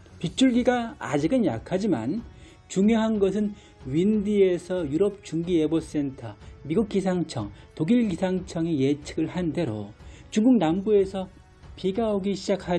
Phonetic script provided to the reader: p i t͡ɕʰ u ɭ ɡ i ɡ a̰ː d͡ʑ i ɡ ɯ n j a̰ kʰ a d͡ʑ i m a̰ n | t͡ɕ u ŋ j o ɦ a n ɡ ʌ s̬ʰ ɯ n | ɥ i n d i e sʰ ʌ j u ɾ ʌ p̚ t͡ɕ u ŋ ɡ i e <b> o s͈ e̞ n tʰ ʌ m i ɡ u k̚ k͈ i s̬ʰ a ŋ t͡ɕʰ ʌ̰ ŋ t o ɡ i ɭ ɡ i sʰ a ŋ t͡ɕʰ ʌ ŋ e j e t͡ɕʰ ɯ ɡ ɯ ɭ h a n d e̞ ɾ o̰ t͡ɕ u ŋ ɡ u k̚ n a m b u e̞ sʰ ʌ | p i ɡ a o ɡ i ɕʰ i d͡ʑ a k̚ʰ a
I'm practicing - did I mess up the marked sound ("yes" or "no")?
no